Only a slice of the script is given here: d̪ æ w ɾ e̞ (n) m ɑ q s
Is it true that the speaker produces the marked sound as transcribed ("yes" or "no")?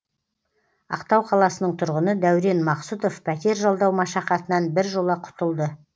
yes